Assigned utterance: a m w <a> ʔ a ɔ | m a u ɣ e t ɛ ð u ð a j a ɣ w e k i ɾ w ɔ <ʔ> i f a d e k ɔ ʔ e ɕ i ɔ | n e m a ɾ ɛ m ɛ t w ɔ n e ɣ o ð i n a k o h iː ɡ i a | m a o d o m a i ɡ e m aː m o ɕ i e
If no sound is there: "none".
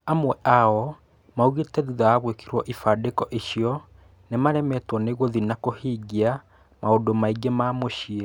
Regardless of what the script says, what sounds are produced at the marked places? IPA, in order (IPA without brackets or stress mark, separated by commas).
ɛ, ʔ